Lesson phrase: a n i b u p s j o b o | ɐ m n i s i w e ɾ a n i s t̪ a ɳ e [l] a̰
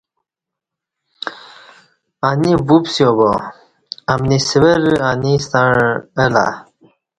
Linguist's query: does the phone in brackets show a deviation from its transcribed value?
no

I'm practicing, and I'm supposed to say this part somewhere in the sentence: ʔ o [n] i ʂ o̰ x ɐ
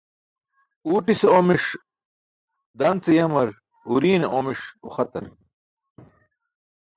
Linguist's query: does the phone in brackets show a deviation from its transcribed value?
yes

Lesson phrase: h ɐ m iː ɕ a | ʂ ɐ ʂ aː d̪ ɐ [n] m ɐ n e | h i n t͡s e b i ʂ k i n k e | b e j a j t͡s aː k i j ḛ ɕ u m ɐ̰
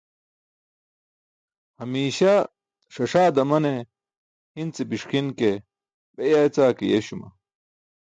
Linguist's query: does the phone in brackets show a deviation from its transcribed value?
yes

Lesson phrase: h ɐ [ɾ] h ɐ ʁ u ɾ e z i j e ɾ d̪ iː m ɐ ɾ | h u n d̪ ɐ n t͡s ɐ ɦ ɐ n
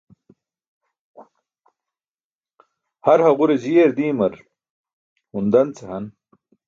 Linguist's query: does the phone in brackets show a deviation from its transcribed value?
no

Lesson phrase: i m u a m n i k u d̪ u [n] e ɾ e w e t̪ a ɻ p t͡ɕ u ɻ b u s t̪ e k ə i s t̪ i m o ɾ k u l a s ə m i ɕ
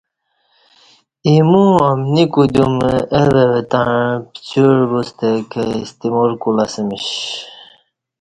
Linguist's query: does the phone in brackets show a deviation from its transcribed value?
yes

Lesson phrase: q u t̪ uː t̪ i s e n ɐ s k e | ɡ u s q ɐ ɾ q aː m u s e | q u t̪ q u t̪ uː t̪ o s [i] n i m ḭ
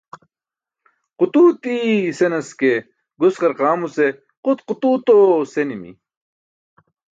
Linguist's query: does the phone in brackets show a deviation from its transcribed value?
yes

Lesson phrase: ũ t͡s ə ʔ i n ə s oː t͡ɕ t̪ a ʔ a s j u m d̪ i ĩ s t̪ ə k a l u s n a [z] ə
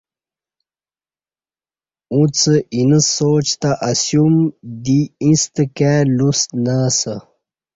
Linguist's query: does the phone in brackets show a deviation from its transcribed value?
yes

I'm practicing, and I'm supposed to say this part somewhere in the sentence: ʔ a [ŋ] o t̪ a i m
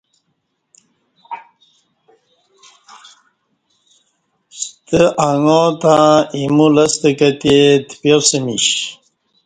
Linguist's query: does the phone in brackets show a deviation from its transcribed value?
no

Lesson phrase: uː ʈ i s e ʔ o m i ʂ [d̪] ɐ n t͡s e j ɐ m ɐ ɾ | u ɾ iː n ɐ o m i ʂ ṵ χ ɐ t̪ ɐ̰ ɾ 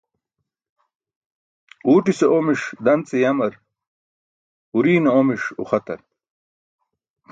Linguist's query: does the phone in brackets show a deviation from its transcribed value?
no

